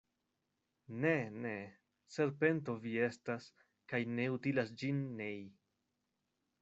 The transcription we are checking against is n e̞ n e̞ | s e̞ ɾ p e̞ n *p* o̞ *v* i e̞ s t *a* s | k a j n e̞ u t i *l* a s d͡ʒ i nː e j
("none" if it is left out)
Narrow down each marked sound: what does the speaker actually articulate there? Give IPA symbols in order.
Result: t, v, a, l

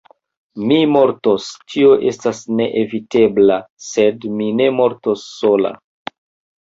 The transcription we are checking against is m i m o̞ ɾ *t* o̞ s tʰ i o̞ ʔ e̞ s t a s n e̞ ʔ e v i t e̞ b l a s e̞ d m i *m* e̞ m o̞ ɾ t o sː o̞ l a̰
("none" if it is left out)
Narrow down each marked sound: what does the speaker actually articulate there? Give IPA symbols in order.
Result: t, n

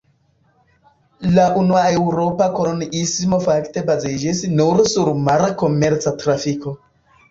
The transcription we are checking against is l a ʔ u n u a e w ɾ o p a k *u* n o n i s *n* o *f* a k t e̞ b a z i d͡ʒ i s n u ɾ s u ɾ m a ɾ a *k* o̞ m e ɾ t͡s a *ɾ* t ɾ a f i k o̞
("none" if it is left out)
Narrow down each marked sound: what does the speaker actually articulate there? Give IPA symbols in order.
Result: o, m, f, k, none

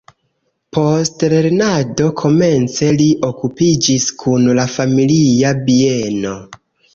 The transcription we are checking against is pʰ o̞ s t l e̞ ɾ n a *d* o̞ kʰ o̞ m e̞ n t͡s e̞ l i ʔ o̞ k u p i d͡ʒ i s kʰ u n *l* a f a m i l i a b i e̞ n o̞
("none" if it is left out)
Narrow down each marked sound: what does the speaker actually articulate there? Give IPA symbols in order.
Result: d, l

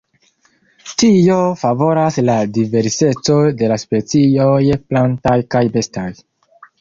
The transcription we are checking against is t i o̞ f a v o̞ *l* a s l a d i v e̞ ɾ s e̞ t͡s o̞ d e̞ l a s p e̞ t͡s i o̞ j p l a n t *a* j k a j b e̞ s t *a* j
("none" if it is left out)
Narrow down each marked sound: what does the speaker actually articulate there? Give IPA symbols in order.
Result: ɾ, a, a

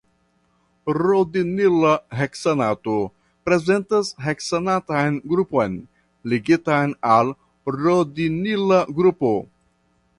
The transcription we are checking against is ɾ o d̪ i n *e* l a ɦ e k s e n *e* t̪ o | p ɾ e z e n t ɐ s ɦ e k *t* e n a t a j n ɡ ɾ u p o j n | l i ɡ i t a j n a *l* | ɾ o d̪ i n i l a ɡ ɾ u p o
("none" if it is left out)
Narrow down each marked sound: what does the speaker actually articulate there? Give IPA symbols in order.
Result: i, a, s, l

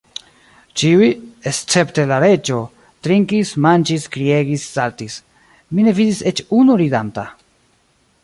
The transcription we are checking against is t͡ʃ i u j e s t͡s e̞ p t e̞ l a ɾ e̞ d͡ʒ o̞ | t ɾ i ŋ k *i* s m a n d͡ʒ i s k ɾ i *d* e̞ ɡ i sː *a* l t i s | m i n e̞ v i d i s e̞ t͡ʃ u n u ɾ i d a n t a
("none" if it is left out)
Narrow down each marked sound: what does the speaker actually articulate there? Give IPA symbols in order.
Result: i, none, a

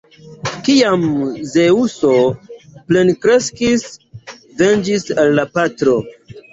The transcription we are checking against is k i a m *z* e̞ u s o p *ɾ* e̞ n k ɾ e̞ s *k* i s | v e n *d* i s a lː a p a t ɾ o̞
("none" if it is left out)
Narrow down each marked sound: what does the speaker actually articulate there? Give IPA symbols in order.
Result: z, l, k, d͡ʒ

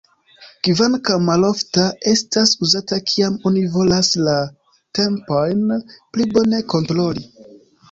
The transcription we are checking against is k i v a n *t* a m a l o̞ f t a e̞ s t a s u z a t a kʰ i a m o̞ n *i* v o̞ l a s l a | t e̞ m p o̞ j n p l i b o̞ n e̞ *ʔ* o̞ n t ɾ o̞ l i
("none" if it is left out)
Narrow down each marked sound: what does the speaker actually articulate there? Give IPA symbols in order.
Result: k, i, k

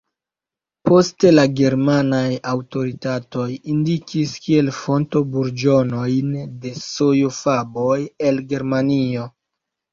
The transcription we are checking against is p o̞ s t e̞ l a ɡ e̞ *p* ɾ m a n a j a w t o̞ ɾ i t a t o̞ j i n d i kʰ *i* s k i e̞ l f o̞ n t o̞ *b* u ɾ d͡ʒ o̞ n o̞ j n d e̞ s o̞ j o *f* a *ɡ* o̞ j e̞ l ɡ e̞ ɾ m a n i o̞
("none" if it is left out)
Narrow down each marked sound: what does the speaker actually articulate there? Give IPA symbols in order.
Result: none, i, b, f, b

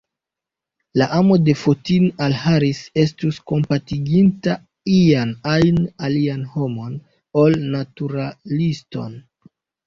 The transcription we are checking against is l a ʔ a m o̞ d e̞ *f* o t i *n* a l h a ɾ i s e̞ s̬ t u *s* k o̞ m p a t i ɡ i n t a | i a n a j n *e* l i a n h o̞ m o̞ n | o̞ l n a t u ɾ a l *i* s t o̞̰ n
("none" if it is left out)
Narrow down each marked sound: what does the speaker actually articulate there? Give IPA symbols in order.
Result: f, n, s, a, i

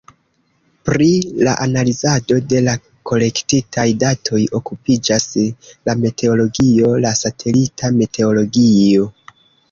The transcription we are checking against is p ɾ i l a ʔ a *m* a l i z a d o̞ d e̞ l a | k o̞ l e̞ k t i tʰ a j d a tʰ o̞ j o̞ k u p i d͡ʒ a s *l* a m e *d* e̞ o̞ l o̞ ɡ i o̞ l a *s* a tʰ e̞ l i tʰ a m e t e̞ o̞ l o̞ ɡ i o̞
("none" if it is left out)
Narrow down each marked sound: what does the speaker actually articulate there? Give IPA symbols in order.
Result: n, l, t, s

